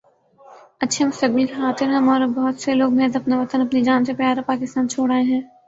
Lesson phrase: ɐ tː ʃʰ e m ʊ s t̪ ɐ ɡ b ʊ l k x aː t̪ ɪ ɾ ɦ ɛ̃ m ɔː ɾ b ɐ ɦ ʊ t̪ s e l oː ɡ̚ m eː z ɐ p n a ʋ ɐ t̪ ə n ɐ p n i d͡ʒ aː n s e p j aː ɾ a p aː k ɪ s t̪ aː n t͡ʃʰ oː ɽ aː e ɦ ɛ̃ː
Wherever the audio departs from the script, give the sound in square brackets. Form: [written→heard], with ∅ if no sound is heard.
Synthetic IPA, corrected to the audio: ɐ tː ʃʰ e m ʊ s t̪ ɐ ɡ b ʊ l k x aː t̪ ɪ ɾ ɦ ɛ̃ m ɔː ɾ b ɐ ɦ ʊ t̪ s e l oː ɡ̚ m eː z ɐ p n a ʋ ɐ t̪ ə n ɐ p n i d͡ʒ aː n s e p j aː ɾ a p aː k ɪ s t̪ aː n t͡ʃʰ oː ɽ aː e ɦ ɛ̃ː